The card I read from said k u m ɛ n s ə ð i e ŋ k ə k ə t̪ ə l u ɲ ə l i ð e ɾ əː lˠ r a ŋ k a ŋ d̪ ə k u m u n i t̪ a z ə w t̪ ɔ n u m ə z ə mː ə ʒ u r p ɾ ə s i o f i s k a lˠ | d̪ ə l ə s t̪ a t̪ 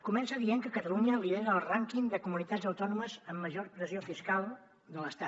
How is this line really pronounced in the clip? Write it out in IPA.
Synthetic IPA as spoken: k u m ɛ n s ə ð i e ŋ k ə k ə t̪ ə l u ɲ ə l i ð e ɾ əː lˠ r a ŋ k i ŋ d̪ ə k u m u n i t̪ a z ə w t̪ ɔ n u m ə z ə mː ə ʒ o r p ɾ ə z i o f i s k a lˠ | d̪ ə l ə s t̪ a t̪

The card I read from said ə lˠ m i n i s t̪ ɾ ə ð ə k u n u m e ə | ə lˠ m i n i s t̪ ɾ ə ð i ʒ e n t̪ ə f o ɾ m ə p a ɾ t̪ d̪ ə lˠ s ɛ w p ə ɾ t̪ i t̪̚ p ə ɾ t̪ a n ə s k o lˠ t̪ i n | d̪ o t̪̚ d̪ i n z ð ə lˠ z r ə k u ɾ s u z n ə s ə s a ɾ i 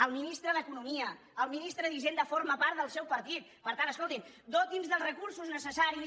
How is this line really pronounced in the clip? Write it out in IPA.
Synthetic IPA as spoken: ə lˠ m i n i s t̪ ɾ ə ð ə k u n u m i ə | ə lˠ m i n i s t̪ ɾ ə ð i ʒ e n d̪ ə f o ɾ m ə p a ɾ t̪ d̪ ə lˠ s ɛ w p ə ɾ t̪ i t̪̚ p ə ɾ t̪ a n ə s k o lˠ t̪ i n | d̪ o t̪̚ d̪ i n z ð ə lˠ z r ə k u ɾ s u z n ə s ə s a ɾ i

